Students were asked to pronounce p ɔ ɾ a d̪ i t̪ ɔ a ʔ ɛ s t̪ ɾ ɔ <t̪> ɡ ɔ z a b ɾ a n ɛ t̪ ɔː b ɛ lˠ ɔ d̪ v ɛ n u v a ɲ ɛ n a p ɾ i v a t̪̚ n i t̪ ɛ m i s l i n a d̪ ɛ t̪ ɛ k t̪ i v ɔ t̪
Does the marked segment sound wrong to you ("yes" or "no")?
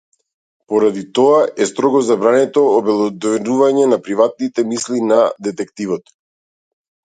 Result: yes